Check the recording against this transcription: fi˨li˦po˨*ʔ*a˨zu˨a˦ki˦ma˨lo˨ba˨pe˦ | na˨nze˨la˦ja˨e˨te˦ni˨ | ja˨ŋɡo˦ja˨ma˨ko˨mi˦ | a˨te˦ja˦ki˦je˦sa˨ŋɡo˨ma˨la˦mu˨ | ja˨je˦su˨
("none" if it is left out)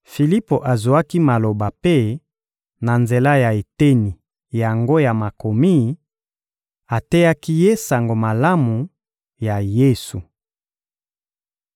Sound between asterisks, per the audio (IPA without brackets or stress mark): ʔ